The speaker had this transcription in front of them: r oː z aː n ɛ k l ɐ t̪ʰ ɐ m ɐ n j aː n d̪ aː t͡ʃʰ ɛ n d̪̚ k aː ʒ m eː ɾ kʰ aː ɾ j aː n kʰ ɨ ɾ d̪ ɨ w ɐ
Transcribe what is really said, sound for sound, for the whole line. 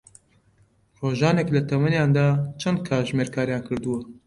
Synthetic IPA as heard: r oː ʒ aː n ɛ k l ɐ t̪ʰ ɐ m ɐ n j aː n d̪ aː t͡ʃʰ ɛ n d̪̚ kʰ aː ʒ m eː ɾ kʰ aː ɾ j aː n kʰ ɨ ɾ d̪ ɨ w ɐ